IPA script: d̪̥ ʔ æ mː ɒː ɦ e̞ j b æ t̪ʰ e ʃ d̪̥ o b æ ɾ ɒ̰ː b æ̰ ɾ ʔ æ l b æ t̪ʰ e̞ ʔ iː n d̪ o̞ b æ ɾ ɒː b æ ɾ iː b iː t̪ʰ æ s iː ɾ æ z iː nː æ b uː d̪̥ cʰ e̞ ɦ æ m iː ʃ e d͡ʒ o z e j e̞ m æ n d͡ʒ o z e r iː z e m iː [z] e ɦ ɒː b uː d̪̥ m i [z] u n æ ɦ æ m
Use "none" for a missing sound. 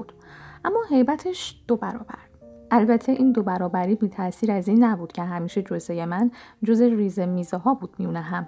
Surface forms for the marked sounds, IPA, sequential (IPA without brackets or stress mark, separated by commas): z, none